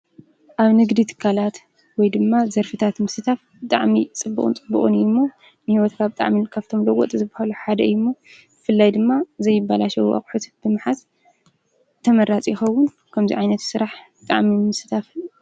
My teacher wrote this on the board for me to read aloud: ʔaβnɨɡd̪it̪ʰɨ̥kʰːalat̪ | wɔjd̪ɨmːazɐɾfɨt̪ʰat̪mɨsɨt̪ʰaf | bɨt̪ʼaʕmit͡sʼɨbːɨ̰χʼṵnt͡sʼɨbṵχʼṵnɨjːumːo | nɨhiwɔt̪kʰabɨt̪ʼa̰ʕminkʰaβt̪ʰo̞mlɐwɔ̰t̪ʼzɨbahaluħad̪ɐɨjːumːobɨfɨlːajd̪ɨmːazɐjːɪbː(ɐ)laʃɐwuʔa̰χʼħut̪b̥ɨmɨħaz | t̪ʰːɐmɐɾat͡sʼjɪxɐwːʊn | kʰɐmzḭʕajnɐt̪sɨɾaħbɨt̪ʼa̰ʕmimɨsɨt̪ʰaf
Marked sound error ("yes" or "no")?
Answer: yes